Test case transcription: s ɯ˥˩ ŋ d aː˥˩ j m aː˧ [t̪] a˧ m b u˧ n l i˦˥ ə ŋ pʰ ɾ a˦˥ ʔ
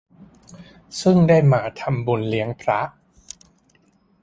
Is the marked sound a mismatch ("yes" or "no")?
yes